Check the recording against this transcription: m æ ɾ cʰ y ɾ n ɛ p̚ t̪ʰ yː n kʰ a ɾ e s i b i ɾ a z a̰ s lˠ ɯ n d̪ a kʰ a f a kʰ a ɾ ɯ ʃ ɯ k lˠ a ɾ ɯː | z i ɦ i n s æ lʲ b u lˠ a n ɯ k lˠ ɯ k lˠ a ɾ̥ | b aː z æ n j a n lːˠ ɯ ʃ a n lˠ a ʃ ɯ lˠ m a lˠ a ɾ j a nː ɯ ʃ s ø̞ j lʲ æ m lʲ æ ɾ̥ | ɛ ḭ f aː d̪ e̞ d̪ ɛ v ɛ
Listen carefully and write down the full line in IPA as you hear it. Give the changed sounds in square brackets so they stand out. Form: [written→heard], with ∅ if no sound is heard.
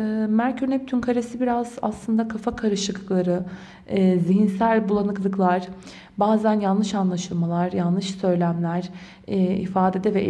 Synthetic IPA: m æ ɾ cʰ y ɾ n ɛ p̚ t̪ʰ [yː→y] n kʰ a ɾ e s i b i ɾ a z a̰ s lˠ ɯ n d̪ a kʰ a f a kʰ a ɾ ɯ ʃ ɯ k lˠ a ɾ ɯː | z i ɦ i n s æ lʲ b u lˠ a n ɯ k lˠ ɯ k lˠ a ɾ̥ | b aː z æ n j a n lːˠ ɯ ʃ a n lˠ a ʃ ɯ lˠ m a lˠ a ɾ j a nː ɯ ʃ s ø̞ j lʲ æ m lʲ æ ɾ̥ | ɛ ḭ f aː d̪ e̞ d̪ ɛ v ɛ

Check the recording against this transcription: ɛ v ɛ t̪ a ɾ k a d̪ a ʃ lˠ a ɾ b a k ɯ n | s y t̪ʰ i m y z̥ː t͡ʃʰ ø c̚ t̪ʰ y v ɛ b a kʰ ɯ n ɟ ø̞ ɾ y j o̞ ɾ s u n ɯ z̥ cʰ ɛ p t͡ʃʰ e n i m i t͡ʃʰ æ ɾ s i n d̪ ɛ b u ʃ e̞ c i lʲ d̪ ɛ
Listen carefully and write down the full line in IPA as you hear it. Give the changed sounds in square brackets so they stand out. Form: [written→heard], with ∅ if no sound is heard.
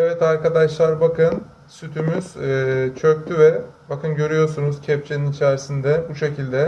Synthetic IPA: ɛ v ɛ t̪ a ɾ k a d̪ a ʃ lˠ a ɾ b a k ɯ n | s y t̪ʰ [i→y] m y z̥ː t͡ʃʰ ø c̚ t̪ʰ y v ɛ b a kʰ ɯ n ɟ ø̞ ɾ y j o̞ ɾ s u n [ɯ→u] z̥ cʰ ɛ p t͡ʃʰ e n i [m→n] i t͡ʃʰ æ ɾ s i n d̪ ɛ b u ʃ e̞ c i lʲ d̪ ɛ

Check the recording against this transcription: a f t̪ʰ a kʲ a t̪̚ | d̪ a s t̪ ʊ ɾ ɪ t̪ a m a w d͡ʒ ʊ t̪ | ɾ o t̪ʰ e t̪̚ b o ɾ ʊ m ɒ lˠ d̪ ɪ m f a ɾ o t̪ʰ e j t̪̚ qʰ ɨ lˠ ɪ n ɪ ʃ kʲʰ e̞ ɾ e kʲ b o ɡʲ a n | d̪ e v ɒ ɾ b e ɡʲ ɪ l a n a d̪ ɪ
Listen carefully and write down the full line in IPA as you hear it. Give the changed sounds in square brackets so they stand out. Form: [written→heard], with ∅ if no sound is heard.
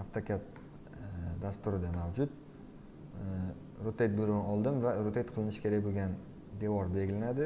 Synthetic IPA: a f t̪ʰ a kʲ a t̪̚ | d̪ a s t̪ ʊ ɾ ɪ [t̪→d̪] a m a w d͡ʒ ʊ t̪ | ɾ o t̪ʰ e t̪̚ b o ɾ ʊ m ɒ lˠ d̪ ɪ m [f→v] a ɾ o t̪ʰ e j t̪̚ qʰ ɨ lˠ ɪ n ɪ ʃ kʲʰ e̞ ɾ [e→a] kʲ b o ɡʲ a n | d̪ e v ɒ ɾ b e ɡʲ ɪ l a n a d̪ ɪ

